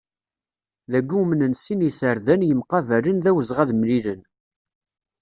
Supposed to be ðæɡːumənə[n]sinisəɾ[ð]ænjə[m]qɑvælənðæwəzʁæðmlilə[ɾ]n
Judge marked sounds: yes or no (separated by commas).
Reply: yes, yes, yes, no